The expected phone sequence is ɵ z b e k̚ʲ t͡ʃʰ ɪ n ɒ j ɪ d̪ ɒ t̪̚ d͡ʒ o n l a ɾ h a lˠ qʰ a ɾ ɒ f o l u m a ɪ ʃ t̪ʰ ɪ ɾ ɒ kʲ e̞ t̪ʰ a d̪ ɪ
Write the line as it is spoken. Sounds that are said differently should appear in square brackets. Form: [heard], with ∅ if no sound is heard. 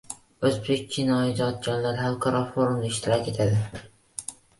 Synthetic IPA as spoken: ɵ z b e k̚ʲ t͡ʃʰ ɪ n ɒ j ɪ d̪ ɒ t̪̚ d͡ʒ [ɒ] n l a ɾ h a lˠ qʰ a ɾ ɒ f o [ɾ] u m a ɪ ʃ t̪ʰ ɪ ɾ ɒ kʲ e̞ t̪ʰ a d̪ ɪ